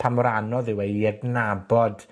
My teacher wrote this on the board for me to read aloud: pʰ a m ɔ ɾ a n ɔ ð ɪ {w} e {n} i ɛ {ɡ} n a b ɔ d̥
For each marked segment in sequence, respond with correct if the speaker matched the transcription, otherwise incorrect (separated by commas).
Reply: correct, incorrect, correct